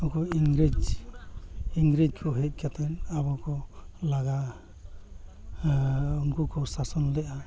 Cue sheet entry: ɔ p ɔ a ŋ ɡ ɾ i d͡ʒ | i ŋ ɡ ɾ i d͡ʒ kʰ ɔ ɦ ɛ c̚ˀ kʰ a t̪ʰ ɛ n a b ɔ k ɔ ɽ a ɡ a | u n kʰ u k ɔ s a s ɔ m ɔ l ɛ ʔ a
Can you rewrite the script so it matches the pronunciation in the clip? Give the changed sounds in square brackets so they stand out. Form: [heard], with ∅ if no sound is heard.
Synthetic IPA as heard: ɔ [k] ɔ [i] ŋ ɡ ɾ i d͡ʒ | i ŋ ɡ ɾ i d͡ʒ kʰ ɔ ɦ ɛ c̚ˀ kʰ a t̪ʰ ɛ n a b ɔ k ɔ [l] a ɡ a | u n [k] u k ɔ s a s ɔ [n] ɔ l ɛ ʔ a